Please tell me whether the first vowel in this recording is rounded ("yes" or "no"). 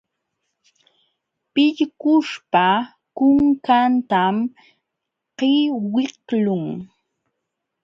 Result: no